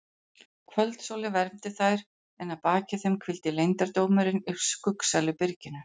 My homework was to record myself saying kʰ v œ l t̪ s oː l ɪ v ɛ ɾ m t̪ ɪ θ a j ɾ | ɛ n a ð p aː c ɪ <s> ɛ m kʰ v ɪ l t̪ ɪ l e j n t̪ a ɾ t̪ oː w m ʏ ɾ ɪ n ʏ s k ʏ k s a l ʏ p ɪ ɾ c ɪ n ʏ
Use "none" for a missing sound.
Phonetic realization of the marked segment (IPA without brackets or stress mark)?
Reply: θ